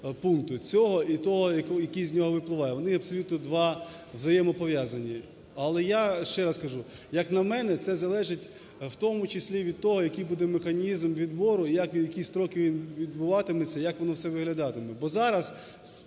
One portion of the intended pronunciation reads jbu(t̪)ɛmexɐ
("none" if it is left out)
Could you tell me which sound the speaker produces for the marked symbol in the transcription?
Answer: d̪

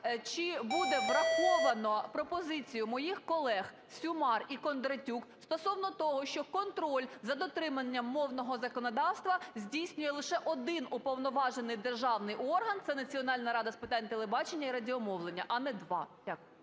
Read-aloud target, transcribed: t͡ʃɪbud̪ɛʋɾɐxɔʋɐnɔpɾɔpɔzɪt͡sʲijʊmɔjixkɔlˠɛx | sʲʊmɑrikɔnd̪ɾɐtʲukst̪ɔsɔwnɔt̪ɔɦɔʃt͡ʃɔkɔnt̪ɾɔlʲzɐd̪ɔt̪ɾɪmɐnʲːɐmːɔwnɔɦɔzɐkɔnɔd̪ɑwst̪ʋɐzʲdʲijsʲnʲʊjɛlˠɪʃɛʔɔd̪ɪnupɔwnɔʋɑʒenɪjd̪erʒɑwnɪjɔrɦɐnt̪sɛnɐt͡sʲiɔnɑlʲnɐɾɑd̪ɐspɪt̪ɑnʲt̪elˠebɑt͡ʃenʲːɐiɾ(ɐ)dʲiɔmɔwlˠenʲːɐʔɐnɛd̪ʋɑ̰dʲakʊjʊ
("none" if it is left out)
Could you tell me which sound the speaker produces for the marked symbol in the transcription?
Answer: ɐ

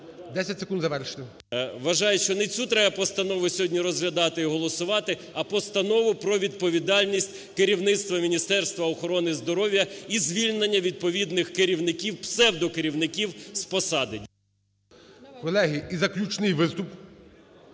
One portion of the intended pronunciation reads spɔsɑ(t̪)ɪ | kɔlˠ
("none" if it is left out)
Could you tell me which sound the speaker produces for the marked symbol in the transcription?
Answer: d̪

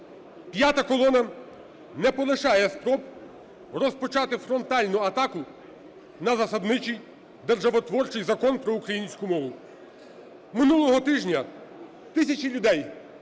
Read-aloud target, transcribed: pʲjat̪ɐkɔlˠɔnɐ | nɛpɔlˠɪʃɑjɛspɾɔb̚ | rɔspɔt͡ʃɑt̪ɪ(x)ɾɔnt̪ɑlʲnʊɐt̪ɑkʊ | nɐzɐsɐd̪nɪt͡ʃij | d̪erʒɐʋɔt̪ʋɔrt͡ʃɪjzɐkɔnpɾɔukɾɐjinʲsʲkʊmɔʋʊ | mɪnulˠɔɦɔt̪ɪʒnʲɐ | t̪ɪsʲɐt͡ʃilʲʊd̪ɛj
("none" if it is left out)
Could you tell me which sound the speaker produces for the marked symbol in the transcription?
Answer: f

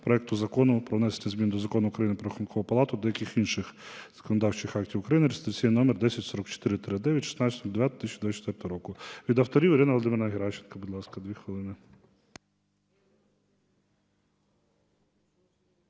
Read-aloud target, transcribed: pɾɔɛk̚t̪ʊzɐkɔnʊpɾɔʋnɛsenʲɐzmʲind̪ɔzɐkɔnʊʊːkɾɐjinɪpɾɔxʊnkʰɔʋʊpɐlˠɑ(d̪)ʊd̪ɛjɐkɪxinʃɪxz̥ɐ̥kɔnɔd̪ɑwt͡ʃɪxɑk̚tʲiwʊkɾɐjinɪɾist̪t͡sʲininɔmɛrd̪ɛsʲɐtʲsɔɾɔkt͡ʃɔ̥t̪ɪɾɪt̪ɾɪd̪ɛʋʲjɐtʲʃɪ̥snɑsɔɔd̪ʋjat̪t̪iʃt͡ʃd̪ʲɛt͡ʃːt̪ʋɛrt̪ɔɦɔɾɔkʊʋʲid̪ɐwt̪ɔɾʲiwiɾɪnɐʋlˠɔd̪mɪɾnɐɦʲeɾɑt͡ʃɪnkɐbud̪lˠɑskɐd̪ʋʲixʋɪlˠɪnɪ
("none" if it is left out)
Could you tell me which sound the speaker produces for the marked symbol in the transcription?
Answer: t̪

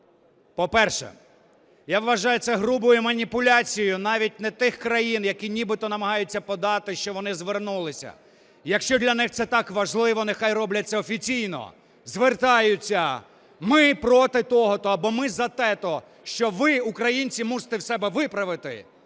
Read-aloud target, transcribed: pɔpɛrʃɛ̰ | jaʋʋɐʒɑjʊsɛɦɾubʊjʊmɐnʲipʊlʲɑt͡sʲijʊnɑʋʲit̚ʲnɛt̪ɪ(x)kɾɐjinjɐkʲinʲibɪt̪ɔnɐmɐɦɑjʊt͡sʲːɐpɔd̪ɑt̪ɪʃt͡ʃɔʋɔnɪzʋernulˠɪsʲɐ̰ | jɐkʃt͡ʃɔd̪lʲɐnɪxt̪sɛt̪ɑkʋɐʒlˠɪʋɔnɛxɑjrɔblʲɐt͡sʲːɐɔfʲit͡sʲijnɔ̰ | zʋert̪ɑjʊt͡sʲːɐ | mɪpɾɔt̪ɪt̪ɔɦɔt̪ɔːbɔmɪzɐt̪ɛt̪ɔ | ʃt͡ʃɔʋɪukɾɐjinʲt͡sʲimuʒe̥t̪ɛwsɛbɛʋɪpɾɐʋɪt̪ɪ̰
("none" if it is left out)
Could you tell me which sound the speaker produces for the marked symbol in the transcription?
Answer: x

